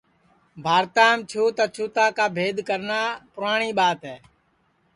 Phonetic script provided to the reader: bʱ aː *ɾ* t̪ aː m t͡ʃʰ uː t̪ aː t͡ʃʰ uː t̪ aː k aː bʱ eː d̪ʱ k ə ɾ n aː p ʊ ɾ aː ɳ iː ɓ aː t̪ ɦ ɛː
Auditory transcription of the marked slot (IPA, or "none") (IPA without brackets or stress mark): ɾ